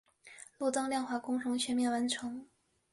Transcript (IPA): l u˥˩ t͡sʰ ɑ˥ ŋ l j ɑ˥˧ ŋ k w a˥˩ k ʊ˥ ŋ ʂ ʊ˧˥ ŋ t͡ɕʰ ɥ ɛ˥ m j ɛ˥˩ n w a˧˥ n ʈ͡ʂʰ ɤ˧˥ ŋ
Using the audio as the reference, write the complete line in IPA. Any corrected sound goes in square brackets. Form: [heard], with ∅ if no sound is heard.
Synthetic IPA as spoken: l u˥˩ [t͡s] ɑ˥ ŋ l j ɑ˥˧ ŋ [x] w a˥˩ k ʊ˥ ŋ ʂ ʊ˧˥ ŋ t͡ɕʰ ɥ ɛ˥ m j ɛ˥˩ n w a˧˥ n ʈ͡ʂʰ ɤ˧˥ ŋ